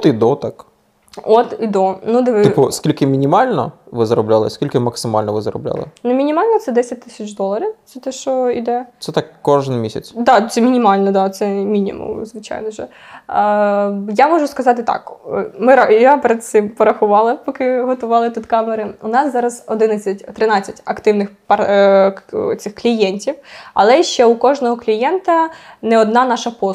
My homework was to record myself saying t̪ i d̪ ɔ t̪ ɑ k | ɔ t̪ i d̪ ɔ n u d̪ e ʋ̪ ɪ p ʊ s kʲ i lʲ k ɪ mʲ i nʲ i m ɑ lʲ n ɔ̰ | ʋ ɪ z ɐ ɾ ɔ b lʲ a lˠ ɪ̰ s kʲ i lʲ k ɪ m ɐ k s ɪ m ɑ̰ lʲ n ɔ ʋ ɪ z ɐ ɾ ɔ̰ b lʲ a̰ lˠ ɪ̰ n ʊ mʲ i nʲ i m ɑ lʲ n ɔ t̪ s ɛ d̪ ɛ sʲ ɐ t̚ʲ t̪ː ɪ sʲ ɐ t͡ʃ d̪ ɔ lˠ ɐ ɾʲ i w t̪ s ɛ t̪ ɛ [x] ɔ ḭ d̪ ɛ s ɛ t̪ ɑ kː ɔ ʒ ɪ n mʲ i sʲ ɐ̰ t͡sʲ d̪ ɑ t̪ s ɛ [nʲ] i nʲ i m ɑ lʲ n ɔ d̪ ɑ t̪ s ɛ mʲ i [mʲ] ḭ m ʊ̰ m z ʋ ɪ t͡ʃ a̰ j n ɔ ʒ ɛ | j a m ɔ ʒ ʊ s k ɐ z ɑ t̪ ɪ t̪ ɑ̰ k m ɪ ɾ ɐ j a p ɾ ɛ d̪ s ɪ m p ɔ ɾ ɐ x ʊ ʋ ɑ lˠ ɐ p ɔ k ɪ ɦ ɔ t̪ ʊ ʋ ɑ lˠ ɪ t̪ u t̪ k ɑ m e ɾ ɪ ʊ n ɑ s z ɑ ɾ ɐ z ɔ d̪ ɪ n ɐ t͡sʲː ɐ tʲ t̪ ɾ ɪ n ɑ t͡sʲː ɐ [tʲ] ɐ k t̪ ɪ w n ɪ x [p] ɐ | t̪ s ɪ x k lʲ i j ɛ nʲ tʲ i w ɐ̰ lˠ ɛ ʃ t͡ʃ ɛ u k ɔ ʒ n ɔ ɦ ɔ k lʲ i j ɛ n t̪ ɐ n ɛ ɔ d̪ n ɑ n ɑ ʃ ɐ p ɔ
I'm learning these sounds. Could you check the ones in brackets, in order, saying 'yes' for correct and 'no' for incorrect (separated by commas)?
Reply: no, no, no, yes, yes